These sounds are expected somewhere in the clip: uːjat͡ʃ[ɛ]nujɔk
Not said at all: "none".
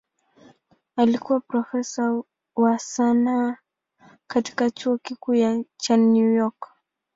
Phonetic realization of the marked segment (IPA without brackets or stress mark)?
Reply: a